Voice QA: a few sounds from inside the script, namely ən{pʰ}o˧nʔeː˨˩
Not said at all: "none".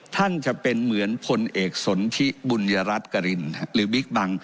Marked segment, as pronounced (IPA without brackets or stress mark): pʰ